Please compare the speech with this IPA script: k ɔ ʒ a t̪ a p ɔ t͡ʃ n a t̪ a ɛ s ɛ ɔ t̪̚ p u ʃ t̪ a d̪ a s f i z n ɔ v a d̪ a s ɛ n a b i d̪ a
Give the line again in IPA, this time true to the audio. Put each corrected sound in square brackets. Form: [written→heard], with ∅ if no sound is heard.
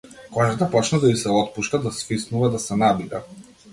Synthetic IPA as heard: k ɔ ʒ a t̪ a p ɔ t͡ʃ n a [t̪→d̪] a [ɛ→i] s ɛ ɔ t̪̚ p u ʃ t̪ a d̪ a s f i [z→s] n [ɔ→u] v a d̪ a s ɛ n a b i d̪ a